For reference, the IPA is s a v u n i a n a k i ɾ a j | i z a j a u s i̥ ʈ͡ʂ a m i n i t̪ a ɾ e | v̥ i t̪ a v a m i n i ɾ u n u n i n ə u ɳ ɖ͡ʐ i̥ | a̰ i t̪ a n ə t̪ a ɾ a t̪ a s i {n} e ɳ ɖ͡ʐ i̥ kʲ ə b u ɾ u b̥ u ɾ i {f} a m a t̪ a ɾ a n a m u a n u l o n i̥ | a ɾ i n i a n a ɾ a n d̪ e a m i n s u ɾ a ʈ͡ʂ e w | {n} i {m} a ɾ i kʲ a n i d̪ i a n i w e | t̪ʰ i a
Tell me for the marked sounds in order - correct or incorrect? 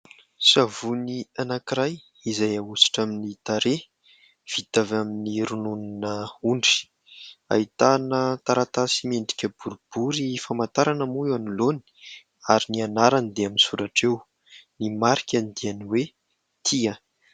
incorrect, correct, correct, correct

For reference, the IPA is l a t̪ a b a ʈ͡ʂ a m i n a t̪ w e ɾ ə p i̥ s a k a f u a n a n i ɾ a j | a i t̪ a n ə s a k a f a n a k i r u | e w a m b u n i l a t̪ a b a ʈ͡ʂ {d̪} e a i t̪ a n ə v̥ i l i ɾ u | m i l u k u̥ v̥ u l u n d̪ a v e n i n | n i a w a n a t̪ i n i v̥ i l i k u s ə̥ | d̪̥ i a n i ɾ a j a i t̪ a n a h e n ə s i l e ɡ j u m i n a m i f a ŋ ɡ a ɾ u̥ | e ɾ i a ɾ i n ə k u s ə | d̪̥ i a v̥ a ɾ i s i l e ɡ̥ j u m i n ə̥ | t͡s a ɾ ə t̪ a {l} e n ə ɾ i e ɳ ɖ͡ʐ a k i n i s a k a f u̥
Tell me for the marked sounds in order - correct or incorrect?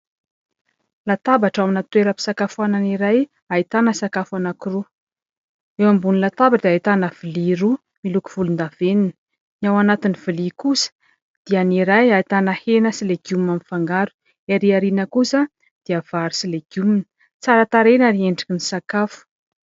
correct, incorrect

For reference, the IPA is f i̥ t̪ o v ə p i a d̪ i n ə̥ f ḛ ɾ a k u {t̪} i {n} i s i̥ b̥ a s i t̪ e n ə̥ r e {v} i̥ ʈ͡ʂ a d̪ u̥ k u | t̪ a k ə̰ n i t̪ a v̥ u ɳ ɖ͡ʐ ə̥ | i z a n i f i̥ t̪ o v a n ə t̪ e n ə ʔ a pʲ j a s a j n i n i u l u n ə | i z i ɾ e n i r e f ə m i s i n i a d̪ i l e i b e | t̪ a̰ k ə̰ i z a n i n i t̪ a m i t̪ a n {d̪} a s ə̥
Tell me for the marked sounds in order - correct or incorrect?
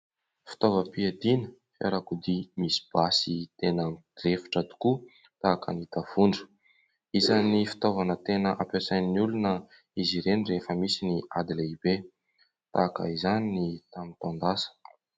incorrect, incorrect, incorrect, correct

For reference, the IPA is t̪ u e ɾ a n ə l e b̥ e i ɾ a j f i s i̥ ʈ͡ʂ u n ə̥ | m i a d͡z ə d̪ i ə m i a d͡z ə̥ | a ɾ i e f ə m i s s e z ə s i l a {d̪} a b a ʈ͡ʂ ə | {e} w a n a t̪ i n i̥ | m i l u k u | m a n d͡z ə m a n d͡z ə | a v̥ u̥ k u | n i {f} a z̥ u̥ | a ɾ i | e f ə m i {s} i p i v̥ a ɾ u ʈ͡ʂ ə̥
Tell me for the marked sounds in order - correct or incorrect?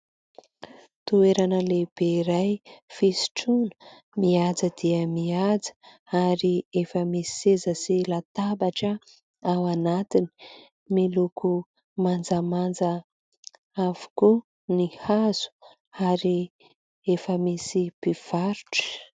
incorrect, incorrect, incorrect, correct

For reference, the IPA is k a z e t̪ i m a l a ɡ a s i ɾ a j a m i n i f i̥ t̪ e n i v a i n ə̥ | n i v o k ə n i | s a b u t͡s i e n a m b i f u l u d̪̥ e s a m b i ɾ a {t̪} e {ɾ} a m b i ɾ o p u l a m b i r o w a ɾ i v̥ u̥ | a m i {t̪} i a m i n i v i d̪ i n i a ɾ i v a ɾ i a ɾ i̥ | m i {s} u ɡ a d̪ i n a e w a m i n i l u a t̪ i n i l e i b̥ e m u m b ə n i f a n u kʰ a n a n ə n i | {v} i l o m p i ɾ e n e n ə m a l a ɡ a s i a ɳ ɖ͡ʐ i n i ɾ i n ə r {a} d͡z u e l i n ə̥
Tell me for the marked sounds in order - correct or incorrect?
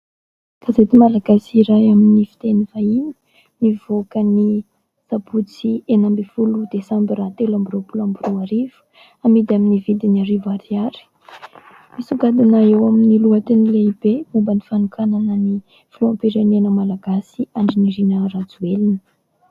correct, incorrect, incorrect, correct, incorrect, correct

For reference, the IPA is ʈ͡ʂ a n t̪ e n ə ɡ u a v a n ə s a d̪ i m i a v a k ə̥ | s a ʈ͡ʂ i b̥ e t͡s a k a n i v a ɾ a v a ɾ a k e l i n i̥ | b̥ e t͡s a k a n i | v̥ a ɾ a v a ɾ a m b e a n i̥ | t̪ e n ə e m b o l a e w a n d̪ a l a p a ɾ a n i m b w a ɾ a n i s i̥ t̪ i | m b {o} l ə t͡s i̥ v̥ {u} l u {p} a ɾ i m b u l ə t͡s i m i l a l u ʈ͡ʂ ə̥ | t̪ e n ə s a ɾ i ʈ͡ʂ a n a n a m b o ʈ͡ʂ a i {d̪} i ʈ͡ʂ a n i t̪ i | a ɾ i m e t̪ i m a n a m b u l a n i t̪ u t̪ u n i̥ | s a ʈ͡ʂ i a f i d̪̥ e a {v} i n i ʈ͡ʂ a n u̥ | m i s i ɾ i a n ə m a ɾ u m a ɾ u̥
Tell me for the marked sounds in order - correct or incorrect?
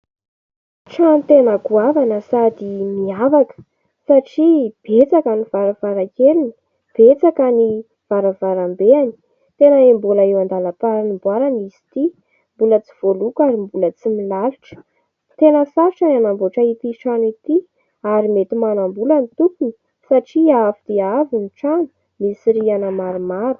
incorrect, incorrect, incorrect, incorrect, correct

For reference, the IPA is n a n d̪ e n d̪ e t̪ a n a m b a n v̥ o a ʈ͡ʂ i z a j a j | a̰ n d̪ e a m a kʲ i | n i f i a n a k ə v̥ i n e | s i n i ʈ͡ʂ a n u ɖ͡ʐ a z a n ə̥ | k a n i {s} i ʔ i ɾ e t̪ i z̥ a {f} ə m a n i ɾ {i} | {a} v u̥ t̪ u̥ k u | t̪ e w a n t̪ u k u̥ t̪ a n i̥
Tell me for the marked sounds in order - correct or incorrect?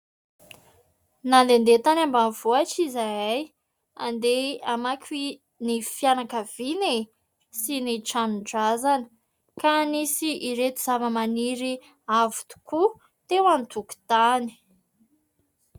correct, incorrect, correct, correct

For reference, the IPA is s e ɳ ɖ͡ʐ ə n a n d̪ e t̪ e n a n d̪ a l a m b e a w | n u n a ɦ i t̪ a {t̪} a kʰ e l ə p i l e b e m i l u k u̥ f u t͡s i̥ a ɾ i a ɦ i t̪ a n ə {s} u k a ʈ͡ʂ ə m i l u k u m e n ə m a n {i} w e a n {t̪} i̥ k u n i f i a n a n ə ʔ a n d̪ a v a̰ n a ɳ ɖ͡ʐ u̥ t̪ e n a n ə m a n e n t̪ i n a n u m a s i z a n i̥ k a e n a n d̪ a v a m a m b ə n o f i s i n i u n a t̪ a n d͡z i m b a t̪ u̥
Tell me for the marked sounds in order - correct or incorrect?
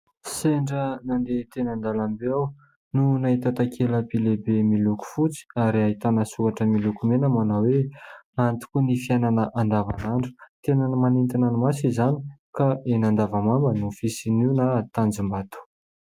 correct, correct, incorrect, correct

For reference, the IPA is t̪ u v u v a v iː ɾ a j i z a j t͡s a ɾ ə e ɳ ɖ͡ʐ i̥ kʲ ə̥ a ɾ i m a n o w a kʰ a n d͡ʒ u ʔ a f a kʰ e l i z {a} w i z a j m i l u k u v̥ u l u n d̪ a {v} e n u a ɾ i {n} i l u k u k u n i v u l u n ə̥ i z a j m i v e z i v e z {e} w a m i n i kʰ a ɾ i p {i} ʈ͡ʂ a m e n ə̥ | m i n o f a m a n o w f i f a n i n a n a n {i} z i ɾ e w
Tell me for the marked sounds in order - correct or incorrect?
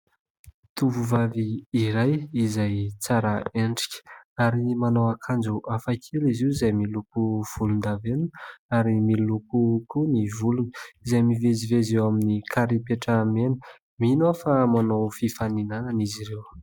incorrect, correct, incorrect, correct, incorrect, correct

